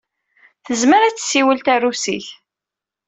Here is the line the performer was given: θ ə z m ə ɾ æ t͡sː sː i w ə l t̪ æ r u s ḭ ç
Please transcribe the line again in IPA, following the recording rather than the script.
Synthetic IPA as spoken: θ ə z m ə ɾ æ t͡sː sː i w ə l t̪ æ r u s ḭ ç